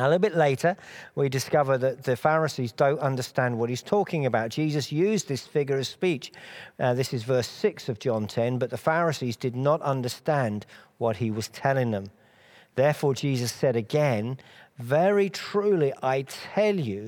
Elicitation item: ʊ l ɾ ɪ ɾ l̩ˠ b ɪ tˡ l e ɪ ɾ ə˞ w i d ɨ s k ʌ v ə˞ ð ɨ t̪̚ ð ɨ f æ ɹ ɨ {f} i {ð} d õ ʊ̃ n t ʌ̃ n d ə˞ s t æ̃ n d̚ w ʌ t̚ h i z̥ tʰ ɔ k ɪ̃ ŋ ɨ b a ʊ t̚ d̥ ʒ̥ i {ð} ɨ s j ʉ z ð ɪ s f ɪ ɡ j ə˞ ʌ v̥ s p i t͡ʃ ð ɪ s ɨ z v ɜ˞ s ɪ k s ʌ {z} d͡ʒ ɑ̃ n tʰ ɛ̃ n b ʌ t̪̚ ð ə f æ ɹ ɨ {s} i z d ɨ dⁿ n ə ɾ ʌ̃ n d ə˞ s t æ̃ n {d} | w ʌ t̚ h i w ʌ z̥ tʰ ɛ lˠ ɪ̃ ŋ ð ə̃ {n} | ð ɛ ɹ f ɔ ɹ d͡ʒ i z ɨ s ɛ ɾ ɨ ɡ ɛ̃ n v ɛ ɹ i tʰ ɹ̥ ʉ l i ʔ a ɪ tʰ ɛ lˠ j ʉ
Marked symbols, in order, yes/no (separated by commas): no, no, no, no, yes, yes, no